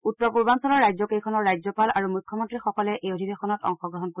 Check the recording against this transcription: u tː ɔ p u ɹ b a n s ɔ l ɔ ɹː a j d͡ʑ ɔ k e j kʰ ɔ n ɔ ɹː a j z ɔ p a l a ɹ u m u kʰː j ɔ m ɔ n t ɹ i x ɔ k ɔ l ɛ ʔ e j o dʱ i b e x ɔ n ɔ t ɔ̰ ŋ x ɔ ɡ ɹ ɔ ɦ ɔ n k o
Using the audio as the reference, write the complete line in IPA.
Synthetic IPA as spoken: u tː ɔ p u ɹ b a n s ɔ l ɔ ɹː a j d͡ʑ ɔ k e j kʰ ɔ n ɔ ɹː a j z ɔ p a l a ɹ u m u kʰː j ɔ m ɔ n t ɹ i x ɔ k ɔ l ɛ ʔ e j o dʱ i b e x ɔ n ɔ t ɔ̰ ŋ x ɔ ɡ ɹ ɔ ɦ ɔ n k o